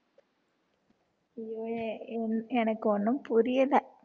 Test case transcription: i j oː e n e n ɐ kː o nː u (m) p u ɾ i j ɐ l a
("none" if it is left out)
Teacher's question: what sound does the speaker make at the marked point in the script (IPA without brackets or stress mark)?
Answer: m